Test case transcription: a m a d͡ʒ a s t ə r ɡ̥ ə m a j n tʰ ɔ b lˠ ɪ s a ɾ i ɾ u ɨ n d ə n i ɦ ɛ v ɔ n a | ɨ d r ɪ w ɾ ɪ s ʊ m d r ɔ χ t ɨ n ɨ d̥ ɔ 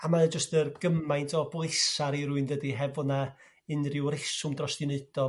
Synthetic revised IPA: a m a d͡ʒ ə s t ə r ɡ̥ ə m a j n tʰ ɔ b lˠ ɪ s a ɾ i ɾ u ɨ n d ə d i ɦ ɛ v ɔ n a | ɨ n r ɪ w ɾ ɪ s ʊ m d r ɔ s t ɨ n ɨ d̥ ɔ